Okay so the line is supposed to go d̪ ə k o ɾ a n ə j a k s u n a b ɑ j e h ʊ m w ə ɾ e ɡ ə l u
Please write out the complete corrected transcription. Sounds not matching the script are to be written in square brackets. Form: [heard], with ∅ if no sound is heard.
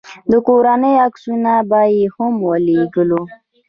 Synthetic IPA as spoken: d̪ ə k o ɾ a n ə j a k s u n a b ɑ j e h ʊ m w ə [l] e ɡ ə l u